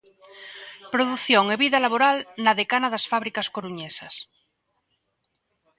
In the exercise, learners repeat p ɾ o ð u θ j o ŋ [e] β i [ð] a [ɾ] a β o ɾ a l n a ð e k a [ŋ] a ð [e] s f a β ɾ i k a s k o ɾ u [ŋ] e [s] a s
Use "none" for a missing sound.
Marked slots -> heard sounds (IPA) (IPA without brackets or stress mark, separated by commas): e, ð, l, n, a, ɲ, s